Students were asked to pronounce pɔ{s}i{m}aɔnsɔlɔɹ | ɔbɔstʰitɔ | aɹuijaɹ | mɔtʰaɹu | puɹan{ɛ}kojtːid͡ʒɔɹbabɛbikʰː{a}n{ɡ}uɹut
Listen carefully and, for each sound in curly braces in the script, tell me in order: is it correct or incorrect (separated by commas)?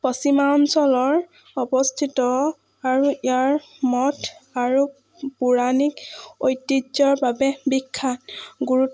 correct, correct, incorrect, correct, correct